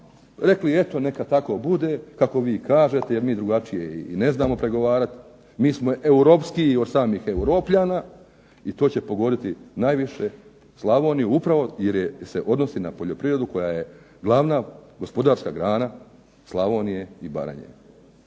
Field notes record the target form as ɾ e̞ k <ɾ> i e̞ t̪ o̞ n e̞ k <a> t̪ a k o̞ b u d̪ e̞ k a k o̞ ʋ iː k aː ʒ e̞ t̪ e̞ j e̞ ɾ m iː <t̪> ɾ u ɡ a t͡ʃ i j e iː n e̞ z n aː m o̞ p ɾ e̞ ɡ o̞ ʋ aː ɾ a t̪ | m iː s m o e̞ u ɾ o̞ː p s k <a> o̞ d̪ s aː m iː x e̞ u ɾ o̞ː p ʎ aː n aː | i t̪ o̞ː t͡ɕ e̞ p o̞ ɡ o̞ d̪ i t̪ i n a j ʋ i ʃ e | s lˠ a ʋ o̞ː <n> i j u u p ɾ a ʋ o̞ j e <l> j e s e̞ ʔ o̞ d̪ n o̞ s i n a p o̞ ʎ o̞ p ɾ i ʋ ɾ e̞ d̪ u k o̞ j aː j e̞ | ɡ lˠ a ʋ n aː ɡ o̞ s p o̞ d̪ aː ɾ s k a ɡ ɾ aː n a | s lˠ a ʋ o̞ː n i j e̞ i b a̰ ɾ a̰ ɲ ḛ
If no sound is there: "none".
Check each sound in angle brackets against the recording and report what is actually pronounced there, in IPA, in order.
l, a, d̪, i, n, ɾ

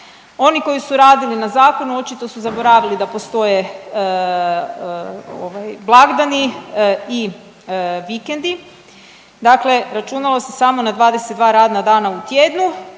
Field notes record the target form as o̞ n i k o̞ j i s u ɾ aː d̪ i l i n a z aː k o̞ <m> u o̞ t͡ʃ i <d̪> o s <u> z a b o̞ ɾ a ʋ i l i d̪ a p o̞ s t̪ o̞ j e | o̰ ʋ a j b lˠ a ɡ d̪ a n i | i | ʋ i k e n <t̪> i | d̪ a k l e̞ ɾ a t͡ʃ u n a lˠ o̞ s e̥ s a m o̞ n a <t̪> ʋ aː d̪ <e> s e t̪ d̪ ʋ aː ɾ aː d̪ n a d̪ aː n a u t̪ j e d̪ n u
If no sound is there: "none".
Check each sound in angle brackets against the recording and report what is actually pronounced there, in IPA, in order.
n, t̪, u, d̪, d̪, e

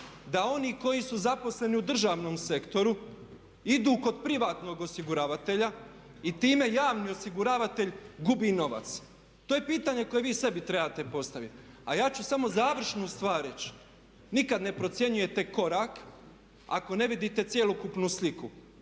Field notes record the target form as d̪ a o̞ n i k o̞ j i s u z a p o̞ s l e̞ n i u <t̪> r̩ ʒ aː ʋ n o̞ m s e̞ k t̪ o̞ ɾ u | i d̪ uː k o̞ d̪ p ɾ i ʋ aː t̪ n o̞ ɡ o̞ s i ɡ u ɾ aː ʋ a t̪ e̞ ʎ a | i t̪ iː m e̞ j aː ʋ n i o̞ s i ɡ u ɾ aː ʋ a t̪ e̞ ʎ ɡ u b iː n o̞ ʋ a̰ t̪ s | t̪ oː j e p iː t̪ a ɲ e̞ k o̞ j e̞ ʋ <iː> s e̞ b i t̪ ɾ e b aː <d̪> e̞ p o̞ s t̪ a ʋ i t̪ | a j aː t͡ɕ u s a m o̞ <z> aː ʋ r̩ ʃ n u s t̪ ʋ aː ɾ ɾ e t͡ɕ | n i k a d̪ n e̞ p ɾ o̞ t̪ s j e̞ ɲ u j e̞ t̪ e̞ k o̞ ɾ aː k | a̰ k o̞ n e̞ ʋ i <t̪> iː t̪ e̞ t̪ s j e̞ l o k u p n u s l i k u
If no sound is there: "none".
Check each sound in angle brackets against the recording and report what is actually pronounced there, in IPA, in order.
d̪, iː, t̪, z, d̪

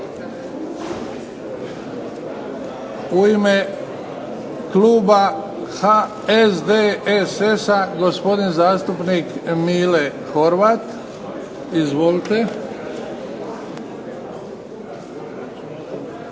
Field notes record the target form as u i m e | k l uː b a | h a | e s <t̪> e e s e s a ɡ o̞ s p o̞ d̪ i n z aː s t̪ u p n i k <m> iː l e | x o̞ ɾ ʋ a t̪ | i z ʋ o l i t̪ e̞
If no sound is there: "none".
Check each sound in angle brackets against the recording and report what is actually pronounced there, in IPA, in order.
d̪, m

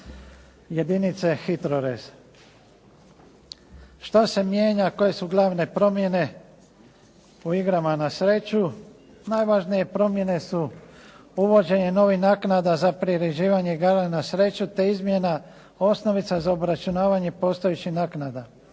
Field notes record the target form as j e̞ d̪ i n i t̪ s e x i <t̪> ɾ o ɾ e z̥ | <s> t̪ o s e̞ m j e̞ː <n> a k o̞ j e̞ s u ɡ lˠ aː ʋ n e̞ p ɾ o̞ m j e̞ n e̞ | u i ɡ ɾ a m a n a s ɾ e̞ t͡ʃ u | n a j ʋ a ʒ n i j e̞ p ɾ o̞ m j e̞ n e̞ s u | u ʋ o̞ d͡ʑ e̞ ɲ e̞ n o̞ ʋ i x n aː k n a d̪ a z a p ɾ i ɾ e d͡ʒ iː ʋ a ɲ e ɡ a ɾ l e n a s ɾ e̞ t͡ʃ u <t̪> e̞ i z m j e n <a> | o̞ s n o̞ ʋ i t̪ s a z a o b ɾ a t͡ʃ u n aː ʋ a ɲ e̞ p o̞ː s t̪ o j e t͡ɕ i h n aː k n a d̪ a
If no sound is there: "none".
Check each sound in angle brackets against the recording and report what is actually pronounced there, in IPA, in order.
t̪, ʃ, ɲ, t̪, a

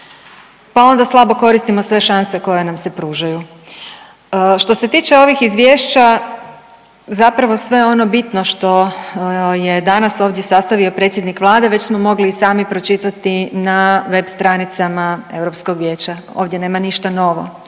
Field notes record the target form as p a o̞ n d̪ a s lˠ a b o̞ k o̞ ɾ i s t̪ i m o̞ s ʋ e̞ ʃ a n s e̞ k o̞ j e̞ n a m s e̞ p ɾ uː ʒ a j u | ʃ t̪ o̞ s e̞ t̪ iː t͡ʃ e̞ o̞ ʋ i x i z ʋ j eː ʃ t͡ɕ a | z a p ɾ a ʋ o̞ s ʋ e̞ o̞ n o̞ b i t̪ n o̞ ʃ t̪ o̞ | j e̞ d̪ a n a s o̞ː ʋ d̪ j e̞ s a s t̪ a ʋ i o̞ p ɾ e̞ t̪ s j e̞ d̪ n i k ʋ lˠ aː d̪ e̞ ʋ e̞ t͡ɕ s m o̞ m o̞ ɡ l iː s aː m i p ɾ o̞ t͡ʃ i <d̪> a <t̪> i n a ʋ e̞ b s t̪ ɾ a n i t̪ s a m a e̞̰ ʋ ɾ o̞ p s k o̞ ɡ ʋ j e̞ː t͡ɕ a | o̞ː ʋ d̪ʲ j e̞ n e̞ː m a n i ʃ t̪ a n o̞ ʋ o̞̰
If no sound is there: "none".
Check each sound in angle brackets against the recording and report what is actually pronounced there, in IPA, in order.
t̪, t̪

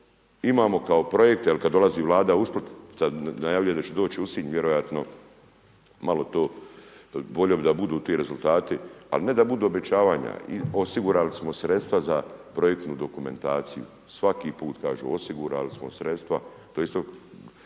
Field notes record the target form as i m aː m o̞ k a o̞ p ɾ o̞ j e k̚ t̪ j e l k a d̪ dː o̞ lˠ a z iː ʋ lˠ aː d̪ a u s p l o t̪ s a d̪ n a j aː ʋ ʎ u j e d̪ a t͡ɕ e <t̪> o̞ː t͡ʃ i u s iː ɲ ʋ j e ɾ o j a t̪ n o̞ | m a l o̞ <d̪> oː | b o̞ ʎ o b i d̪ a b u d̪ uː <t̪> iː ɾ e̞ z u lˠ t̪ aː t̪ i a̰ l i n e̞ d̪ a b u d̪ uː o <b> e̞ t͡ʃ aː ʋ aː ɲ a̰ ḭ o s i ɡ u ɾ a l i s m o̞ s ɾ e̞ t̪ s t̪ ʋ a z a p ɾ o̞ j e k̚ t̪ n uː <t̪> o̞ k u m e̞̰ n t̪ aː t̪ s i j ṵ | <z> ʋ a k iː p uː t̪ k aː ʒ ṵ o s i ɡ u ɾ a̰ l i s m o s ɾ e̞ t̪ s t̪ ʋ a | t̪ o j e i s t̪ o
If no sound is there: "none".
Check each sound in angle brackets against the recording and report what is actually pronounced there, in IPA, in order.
d̪, t̪, t̪, b, d̪, s

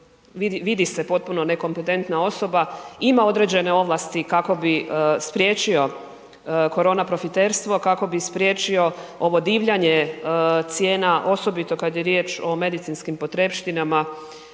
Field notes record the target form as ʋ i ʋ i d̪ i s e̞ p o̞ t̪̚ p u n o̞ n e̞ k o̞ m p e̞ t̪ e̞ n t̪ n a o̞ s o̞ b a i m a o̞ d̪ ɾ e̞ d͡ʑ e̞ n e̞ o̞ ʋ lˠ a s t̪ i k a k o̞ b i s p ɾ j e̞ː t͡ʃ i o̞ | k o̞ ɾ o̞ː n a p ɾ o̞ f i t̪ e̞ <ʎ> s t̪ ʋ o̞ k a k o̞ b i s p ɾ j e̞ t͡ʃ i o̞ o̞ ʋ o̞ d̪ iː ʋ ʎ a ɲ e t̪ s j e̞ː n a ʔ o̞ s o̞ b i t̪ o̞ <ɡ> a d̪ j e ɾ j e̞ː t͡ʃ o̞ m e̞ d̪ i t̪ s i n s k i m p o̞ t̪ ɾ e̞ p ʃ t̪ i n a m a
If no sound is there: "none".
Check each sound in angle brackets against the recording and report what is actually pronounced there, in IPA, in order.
ɾ, k

